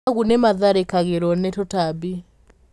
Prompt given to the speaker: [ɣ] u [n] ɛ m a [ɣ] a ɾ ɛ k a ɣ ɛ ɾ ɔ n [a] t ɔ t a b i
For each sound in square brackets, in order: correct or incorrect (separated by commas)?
correct, correct, incorrect, incorrect